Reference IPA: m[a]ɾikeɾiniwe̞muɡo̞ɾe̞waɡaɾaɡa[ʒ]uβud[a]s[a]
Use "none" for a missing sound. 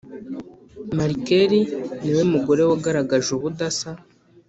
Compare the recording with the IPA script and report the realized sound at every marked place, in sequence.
a, ʒ, a, a

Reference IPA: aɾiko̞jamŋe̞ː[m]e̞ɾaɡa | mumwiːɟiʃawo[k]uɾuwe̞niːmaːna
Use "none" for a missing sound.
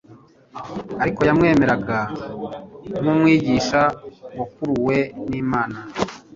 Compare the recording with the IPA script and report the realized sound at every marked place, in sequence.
m, k

